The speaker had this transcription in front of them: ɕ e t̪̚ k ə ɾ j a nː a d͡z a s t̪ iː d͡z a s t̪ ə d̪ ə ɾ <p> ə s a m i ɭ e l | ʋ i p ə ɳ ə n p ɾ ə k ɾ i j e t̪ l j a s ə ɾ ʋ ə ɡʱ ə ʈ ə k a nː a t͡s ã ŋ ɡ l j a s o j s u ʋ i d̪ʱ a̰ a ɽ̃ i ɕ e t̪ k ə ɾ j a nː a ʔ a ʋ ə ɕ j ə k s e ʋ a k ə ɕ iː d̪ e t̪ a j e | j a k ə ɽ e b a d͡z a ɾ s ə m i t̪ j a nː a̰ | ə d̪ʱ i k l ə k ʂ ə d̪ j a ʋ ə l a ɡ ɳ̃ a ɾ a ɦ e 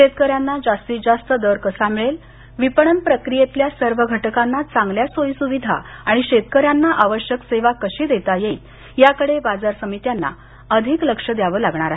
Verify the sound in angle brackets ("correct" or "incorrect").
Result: incorrect